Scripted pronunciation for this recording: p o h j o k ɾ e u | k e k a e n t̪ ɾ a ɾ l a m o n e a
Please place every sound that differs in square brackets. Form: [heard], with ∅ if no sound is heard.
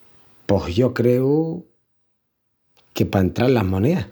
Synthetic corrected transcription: p o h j o k ɾ e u | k e [p] a e n t̪ ɾ a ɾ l a m o n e a

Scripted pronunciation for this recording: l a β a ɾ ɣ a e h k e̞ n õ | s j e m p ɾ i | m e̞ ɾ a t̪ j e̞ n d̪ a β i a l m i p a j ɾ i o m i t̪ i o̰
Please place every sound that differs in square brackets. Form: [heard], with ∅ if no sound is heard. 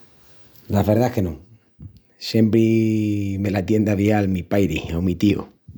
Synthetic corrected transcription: l a β [e] ɾ [ð] a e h k e̞ n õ | s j e m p ɾ i | m e̞ [l] a t̪ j e̞ n d̪ a β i a l m i p a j ɾ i o m i t̪ i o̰

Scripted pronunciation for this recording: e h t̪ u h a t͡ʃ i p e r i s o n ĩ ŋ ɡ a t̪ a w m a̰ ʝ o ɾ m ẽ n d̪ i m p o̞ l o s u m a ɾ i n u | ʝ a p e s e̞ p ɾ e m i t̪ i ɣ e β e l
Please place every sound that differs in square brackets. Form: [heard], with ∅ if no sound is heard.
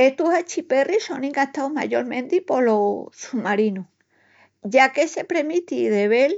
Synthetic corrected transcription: e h t̪ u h a t͡ʃ i p e r i s o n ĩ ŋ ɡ a t̪ a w m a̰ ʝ o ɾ m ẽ n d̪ i [∅] p o̞ l o s u m a ɾ i n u | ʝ a [k] e s e̞ p ɾ e m i t̪ i [ð] e β e l

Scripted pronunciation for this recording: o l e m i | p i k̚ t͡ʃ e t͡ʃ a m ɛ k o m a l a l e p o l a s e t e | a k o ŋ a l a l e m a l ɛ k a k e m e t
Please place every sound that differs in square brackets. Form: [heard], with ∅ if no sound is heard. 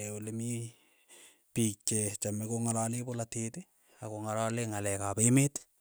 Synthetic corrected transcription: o l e m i | p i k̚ t͡ʃ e t͡ʃ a m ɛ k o [ŋ] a l a l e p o l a [t] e t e | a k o ŋ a l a l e [ŋ] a l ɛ k a [p] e m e t

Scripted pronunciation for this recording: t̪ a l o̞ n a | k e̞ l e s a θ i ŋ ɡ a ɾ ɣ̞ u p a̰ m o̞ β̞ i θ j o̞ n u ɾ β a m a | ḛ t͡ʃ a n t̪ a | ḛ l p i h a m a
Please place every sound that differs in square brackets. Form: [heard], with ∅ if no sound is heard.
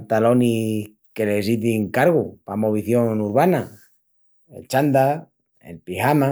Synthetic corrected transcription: t̪ a l o̞ n [i] | k e̞ l e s [i] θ i ŋ [k] a ɾ ɣ̞ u p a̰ m o̞ β̞ i θ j o̞ n u ɾ β a [n] a | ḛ t͡ʃ a n [d̪] a | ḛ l p i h a m a

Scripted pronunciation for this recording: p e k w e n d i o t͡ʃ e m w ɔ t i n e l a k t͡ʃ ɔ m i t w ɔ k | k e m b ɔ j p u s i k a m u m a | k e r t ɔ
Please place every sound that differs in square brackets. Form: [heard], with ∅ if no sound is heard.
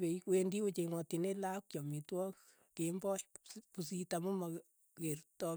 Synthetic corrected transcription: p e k w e n d i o t͡ʃ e [ŋ] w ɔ t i n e l a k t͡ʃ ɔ m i t w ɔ k | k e m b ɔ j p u s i [t] a m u m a | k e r t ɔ

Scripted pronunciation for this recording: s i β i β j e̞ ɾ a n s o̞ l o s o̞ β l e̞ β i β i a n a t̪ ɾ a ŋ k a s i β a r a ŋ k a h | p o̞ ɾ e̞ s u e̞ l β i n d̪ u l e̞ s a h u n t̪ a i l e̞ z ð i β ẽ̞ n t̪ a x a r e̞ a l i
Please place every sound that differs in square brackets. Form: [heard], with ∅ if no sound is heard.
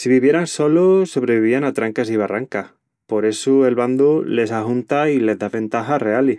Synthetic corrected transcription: s i β i β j e̞ ɾ a n s o̞ l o s o̞ β [ɾ] e̞ β i β i a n a t̪ ɾ a ŋ k a s i β a r a ŋ k a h | p o̞ ɾ e̞ s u e̞ l β [a] n d̪ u l e̞ s a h u n t̪ a i l e̞ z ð [a] β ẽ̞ n t̪ a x a r e̞ a l i

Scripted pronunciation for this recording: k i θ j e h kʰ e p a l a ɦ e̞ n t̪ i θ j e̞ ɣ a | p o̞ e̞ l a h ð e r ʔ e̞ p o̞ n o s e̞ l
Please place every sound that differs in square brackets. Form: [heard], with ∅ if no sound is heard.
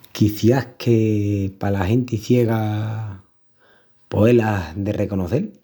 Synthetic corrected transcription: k i θ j [a] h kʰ e p a l a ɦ e̞ n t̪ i θ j e̞ ɣ a | p o̞ e̞ l a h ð e r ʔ e̞ [k] o̞ n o [θ] e̞ l

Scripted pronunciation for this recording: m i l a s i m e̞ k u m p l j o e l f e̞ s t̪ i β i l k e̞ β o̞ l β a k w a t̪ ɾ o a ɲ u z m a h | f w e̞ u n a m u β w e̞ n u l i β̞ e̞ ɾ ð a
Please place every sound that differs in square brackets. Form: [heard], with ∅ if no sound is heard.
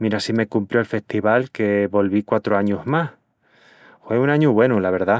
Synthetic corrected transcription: m i [ɾ] a s i m e̞ k u m p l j o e l f e̞ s t̪ i β [a] l k e̞ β o̞ l β [i] k w a t̪ ɾ o a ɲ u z m a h | f w e̞ u n a [ɲ] u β w e̞ n u l [a] β̞ e̞ ɾ ð a

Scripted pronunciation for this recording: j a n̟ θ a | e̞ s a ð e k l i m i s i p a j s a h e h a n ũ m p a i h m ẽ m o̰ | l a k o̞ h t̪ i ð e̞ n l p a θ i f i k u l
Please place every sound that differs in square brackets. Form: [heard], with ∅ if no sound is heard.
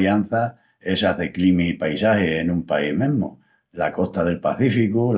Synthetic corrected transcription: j a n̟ θ a | e̞ s a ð e k l i m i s i p a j s a h e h [e] n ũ m p a i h m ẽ m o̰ | l a k o̞ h t̪ [a] ð e̞ [∅] l p a θ i f i k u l

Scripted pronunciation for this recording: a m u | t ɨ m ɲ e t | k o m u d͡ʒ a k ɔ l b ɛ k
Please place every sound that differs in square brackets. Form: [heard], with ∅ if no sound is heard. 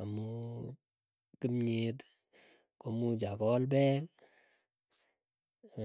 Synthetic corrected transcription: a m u | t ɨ m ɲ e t | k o m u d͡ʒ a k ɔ l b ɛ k

